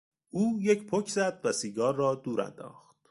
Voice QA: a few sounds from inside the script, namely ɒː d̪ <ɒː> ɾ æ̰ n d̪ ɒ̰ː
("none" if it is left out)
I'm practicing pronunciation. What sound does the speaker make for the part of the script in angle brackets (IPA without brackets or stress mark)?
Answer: uː